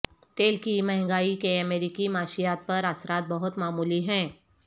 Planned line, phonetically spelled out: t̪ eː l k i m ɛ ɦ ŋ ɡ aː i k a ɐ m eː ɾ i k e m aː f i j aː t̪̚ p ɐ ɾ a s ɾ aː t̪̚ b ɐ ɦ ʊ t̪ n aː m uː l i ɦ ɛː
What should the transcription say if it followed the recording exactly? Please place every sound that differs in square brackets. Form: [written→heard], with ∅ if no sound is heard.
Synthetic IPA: t̪ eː l k i m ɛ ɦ ŋ ɡ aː i k [a→e] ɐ m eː ɾ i k [e→i] m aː [f→ʃ] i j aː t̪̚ p ɐ ɾ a s ɾ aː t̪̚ b ɐ ɦ ʊ t̪ [n→m] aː m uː l i ɦ [ɛː→ɛ̃ː]